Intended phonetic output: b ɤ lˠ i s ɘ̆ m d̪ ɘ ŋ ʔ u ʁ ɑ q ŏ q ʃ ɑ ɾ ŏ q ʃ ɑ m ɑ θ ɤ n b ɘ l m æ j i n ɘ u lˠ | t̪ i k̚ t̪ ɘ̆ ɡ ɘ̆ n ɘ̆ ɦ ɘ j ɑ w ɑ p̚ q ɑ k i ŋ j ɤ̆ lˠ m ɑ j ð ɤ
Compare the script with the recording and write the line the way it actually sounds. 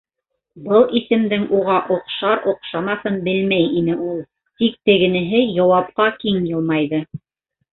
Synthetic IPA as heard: b ɤ lˠ i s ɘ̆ m d̪ ɘ ŋ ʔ u ʁ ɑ ʔ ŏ q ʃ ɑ ɾ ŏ q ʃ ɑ m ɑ θ ɤ n b ɘ l m æ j i n ɘ u lˠ | t̪ i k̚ t̪ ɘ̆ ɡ ɘ̆ n ɘ̆ ɦ ɘ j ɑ w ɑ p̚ q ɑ k i ŋ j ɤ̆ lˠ m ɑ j ð ɤ